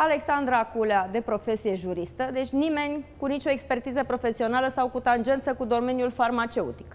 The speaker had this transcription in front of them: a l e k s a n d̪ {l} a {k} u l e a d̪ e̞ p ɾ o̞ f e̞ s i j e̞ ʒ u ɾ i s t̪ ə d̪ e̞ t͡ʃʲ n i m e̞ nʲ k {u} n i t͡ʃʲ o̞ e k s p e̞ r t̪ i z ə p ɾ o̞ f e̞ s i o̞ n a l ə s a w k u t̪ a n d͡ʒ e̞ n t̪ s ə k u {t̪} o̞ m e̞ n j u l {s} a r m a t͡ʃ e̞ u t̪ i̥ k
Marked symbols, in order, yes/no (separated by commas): no, yes, yes, no, no